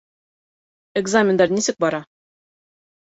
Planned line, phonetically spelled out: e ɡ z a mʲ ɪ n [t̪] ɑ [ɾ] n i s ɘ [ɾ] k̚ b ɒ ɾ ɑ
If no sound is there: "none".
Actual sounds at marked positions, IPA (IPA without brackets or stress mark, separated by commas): d̪, ɾ, none